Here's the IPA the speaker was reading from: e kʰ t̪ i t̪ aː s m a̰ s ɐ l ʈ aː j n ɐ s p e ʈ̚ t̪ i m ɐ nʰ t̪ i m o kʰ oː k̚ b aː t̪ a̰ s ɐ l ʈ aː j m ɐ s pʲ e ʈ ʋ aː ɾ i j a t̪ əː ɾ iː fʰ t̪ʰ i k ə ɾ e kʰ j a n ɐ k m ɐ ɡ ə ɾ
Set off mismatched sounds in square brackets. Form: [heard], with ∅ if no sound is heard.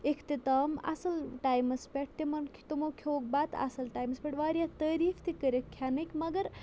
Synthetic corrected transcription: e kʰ t̪ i t̪ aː [∅] m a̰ s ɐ l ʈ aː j [m] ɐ s p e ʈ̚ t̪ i m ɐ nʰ t̪ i m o kʰ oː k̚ b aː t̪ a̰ s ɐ l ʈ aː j m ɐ s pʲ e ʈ ʋ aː ɾ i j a t̪ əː ɾ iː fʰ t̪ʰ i k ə ɾ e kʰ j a n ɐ k m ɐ ɡ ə ɾ